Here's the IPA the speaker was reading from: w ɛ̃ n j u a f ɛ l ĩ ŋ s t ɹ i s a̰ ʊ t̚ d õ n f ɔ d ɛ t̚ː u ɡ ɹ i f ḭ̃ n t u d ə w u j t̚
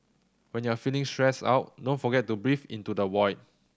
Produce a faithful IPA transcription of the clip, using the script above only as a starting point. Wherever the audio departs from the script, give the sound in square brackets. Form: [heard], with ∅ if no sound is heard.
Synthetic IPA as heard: w ɛ̃ n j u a f [i] l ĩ ŋ s t ɹ [ɛ] s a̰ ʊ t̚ d õ n f ɔ [ɡ] ɛ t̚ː u [b] ɹ i f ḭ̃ n t u d ə w [ɔ] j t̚

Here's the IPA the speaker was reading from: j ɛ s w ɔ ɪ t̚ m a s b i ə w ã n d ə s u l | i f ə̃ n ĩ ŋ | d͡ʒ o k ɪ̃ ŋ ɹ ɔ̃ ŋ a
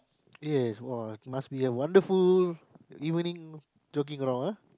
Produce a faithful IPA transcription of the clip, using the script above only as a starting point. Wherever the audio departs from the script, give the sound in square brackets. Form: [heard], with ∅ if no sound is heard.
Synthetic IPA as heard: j ɛ s w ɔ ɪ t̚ m a s b i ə w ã n d ə [f] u l | i [v] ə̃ n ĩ ŋ | d͡ʒ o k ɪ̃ ŋ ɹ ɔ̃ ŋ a

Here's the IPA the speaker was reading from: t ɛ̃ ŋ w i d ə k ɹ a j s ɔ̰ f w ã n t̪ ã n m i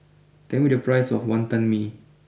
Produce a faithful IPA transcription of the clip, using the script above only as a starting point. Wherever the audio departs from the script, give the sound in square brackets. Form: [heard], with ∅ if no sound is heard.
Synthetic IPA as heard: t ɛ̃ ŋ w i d ə [p] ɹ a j s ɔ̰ f w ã n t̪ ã n m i

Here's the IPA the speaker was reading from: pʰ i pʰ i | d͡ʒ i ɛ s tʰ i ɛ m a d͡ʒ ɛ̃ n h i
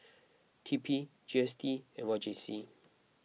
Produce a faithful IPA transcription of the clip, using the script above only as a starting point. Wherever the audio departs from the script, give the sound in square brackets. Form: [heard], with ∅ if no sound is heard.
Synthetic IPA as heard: [tʰ] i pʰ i | d͡ʒ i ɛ s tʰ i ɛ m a d͡ʒ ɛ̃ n [s] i

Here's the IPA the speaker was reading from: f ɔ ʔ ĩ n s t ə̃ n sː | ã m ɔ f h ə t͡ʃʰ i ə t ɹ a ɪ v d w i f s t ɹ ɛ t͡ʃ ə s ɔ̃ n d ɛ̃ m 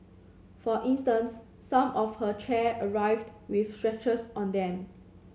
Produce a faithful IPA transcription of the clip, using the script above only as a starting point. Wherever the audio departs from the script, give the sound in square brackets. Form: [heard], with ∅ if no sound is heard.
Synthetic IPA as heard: f ɔ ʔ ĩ n s t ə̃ n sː | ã m ɔ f h ə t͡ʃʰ [ɛ] ə [∅] ɹ a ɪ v d w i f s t ɹ ɛ t͡ʃ ə s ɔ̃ n d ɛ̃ m

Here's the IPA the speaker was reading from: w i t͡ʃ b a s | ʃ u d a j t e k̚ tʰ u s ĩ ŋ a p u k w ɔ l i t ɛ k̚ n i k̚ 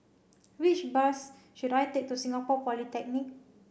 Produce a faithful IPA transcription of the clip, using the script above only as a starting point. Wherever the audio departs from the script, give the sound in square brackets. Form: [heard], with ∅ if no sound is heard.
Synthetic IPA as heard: w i t͡ʃ b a s | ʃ u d a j t e k̚ [t] u s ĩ ŋ a p [ɔ] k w ɔ l i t ɛ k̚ n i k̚

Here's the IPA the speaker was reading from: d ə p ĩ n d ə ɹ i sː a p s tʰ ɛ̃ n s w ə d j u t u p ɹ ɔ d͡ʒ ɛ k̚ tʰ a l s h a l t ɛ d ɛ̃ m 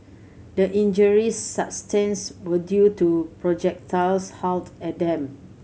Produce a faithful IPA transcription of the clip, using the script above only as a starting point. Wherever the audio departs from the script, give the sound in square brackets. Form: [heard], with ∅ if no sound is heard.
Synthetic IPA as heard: d ə [ʔ] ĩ n [d͡ʒ] ə ɹ i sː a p s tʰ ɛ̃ n s w ə d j u t u p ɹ ɔ d͡ʒ ɛ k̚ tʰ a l s h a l t ɛ d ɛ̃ m

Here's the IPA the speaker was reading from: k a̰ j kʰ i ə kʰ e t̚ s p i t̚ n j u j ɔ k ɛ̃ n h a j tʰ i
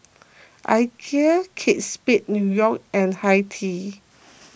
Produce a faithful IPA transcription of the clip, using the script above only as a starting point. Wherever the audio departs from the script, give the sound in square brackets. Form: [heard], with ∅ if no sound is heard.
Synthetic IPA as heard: [ʔ] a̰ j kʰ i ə kʰ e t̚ s p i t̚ n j u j ɔ k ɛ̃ n h a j tʰ i

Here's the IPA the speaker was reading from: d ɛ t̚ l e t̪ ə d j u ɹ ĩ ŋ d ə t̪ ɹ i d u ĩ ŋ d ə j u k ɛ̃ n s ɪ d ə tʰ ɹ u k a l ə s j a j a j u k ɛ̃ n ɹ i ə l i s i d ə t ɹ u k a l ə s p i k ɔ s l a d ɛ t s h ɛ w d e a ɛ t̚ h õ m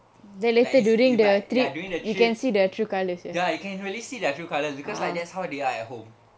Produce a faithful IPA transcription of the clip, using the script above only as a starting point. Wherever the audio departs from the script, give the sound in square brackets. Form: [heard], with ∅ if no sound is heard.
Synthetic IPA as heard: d ɛ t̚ l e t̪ ə d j u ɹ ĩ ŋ d ə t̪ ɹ i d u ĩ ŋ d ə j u k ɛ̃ n s [i] d ə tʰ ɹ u k a l ə s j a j a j u k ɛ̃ n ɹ i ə l i s i d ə t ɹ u k a l ə s [b] i k ɔ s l a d ɛ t s h [a] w d e a ɛ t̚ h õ m

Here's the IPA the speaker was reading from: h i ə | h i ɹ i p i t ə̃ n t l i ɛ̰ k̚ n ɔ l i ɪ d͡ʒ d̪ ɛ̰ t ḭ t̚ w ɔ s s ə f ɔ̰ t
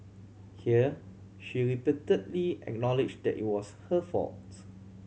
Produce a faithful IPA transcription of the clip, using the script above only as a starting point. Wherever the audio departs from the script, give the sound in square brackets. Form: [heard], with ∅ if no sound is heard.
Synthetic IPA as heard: h i ə | [ʃ] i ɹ i p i t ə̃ n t l i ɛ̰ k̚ n ɔ l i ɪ d͡ʒ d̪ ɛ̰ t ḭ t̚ w ɔ s [h] ə f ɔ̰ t

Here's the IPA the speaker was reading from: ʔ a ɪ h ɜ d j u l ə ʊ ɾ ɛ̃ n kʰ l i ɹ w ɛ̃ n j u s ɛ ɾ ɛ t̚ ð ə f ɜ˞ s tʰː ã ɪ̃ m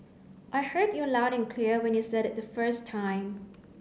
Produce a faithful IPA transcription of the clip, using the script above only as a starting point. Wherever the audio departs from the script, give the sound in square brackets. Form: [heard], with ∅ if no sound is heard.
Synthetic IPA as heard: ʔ a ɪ h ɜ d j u l [a] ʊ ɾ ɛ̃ n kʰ l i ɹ w ɛ̃ n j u s ɛ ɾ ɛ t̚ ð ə f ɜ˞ s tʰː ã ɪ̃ m

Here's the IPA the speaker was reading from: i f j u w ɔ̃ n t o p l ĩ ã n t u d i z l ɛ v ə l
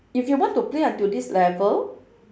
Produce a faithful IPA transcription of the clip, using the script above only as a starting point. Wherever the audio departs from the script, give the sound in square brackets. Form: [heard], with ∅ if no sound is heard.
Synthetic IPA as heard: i f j u w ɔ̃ n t [u] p l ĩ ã n t u d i [s] l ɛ v ə l

